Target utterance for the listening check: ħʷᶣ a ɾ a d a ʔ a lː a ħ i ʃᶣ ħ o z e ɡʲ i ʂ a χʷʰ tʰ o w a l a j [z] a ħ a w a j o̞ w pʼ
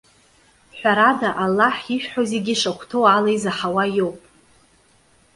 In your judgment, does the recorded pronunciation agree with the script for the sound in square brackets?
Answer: yes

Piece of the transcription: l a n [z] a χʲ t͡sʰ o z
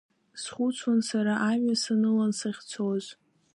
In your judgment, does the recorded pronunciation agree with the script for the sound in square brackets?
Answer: no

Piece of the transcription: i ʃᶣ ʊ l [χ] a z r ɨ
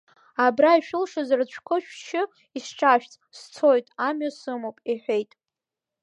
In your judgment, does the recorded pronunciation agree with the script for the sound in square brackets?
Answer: no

